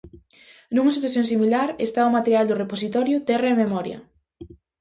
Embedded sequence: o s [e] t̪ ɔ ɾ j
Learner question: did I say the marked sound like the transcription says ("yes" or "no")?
no